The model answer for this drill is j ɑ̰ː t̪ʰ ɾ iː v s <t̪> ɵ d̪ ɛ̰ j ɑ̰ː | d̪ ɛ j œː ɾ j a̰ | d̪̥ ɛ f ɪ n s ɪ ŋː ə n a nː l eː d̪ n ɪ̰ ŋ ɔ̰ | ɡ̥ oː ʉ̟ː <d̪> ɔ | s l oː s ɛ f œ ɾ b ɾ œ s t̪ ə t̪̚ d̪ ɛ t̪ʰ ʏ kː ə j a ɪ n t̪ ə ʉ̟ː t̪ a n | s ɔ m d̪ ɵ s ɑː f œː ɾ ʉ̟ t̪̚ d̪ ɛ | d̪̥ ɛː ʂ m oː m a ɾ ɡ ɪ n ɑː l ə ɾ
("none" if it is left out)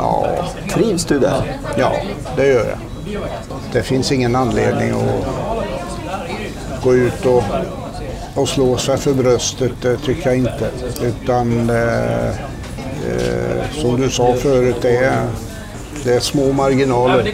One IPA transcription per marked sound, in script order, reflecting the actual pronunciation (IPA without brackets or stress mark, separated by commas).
d̪, t̪